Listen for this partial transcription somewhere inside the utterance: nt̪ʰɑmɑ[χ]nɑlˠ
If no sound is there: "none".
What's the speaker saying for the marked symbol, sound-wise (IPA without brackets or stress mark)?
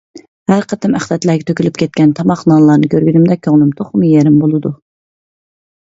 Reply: χ